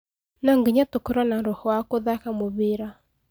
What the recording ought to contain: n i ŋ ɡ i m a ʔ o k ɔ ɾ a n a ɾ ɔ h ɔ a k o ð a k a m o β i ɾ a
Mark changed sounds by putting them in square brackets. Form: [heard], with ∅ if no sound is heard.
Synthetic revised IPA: n [a] ŋ ɡ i [ɲ] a [t] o k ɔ ɾ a n a ɾ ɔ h ɔ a k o ð a k a m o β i ɾ a